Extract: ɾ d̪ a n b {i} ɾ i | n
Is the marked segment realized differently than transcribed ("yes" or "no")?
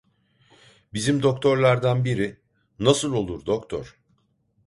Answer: no